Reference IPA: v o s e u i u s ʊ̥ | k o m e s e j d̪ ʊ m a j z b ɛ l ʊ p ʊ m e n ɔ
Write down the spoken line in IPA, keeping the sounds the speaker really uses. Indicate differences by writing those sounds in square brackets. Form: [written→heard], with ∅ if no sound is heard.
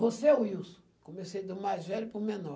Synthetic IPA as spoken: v o s e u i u s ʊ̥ | k o m e s e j d̪ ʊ m a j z [b→v] ɛ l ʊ p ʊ m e n ɔ